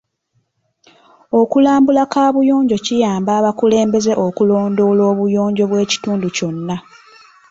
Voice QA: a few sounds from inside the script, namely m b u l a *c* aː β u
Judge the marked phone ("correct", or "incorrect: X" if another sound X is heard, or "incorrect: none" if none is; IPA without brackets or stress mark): incorrect: k